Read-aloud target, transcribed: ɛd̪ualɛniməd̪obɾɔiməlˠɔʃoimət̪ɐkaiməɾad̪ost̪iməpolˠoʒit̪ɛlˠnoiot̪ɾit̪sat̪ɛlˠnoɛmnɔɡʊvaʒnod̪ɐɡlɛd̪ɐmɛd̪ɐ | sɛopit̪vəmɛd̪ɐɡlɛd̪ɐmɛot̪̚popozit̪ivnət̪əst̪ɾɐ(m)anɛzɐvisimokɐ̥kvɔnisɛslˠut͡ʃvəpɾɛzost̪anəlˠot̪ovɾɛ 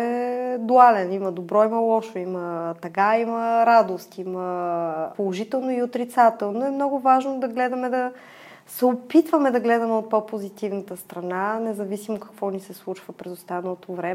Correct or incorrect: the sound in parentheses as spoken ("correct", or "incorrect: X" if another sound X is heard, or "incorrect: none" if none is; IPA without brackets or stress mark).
incorrect: n